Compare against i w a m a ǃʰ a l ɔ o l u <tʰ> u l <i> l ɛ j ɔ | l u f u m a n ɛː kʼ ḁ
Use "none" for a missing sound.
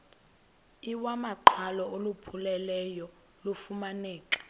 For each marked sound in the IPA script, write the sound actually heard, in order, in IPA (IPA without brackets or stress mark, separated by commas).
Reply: pʰ, ɛ